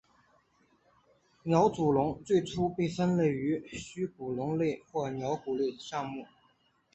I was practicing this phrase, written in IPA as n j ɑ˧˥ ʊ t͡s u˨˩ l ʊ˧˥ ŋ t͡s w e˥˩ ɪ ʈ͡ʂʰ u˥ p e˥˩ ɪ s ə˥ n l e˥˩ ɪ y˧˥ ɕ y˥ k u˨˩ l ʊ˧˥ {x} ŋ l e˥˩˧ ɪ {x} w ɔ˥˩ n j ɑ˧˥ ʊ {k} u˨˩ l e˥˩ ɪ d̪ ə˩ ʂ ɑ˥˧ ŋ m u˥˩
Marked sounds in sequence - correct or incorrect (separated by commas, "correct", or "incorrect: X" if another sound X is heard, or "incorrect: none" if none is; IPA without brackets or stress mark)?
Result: incorrect: none, correct, correct